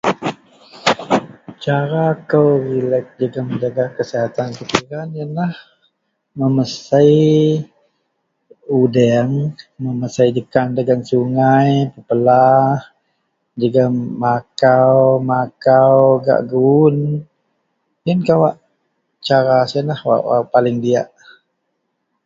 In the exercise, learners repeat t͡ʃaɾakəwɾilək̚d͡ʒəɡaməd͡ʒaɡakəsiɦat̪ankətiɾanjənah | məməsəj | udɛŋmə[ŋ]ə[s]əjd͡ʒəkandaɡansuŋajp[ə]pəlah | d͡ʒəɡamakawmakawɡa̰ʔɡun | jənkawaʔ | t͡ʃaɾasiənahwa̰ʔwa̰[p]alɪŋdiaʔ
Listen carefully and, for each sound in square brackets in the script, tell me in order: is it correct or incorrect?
incorrect, correct, correct, correct

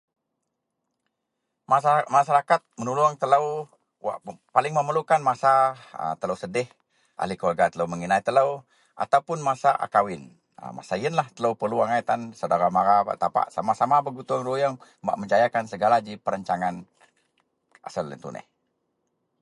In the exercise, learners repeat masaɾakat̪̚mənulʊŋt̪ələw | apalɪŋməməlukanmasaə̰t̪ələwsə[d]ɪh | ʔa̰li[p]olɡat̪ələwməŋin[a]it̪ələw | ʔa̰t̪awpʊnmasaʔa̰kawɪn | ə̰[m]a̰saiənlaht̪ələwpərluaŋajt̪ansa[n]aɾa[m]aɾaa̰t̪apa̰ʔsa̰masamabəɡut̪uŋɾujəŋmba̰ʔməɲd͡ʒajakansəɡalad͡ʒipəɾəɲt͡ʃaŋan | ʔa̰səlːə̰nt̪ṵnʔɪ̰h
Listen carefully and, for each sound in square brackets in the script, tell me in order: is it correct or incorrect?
correct, incorrect, correct, correct, incorrect, correct

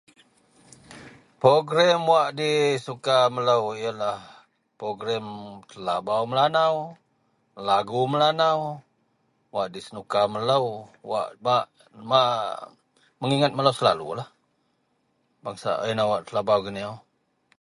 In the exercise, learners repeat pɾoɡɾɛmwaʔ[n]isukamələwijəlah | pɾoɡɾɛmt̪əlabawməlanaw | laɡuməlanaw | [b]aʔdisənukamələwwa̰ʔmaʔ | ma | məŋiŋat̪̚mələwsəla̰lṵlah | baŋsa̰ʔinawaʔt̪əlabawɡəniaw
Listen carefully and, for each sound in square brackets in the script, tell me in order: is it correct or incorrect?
incorrect, incorrect

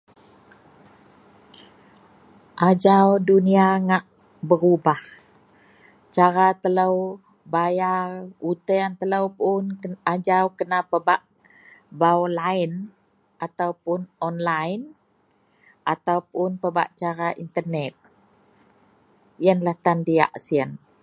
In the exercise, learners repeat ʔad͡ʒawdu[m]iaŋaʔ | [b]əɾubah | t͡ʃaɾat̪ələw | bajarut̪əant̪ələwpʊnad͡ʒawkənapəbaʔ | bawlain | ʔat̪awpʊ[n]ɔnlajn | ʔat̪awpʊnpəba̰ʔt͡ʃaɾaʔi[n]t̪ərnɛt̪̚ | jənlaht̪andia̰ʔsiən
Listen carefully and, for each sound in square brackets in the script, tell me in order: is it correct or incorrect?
incorrect, correct, correct, correct

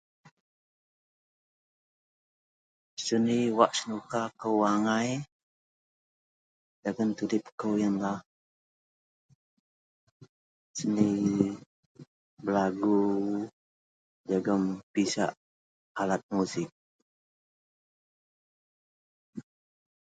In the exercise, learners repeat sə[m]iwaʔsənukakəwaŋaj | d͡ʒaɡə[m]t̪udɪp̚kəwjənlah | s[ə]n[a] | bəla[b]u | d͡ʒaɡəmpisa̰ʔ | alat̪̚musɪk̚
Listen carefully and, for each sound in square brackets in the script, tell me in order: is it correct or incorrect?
incorrect, incorrect, correct, incorrect, incorrect

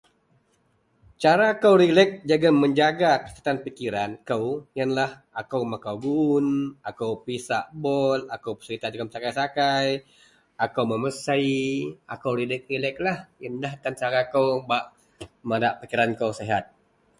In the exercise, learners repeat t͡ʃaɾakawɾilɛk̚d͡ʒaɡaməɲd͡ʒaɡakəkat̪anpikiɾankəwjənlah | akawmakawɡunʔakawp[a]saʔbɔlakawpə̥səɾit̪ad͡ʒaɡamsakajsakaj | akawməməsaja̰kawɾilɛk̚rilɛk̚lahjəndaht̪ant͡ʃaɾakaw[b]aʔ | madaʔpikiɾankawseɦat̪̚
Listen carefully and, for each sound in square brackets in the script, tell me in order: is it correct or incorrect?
incorrect, correct

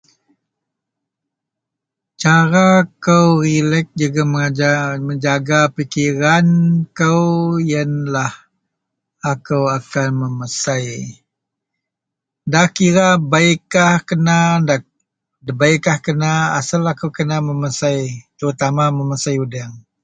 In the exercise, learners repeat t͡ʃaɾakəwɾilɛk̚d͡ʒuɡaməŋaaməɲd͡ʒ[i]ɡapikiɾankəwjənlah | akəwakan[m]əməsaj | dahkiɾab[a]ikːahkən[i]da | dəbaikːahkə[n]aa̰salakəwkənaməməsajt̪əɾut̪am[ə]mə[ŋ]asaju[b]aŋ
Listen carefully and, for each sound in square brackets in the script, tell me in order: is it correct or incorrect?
incorrect, correct, correct, incorrect, correct, incorrect, incorrect, incorrect

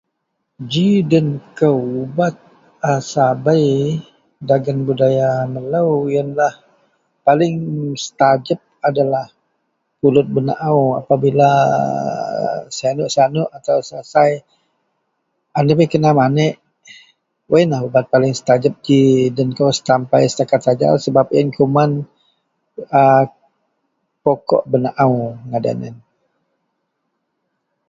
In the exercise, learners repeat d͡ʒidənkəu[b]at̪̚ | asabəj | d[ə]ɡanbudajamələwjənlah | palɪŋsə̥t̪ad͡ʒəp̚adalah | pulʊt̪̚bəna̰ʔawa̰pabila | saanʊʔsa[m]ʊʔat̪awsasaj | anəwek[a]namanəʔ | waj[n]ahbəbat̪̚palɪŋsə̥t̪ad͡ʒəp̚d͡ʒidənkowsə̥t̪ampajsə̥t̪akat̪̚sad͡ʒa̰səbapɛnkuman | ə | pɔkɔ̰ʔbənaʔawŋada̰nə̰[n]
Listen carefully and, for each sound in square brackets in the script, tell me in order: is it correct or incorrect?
correct, incorrect, incorrect, incorrect, correct, correct

